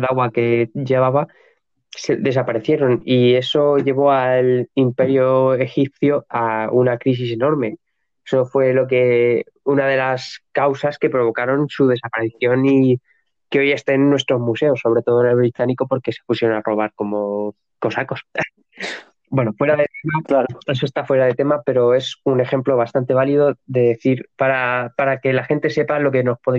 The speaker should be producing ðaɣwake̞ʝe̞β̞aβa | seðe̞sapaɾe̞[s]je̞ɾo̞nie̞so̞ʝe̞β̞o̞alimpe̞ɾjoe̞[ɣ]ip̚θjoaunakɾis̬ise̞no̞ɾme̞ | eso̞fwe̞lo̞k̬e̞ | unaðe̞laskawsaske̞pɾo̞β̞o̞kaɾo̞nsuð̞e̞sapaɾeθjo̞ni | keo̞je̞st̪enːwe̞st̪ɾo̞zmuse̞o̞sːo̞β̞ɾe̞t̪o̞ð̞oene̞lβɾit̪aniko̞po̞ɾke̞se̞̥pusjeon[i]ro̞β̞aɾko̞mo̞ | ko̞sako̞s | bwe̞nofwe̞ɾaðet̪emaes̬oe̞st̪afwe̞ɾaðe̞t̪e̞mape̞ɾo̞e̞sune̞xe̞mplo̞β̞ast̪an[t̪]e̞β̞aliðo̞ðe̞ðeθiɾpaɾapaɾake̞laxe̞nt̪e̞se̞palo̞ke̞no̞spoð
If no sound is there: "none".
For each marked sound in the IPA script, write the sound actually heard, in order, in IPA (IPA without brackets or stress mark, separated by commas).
θ, x, a, t̪